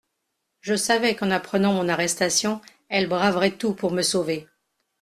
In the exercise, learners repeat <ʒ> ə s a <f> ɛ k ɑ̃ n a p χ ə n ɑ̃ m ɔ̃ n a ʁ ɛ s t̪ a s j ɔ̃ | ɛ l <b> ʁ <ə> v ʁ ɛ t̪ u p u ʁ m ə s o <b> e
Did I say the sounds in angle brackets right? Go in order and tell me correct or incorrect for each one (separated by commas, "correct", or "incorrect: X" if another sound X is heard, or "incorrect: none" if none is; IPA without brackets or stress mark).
correct, incorrect: v, correct, incorrect: a, incorrect: v